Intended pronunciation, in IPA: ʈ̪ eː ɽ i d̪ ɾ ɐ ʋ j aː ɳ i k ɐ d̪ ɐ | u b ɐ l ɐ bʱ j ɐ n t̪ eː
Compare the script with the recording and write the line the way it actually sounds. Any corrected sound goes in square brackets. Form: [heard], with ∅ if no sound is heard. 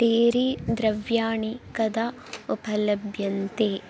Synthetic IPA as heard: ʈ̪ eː [ɾ] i d̪ ɾ ɐ ʋ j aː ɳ i k ɐ d̪ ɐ | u [p] ɐ l ɐ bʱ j ɐ n t̪ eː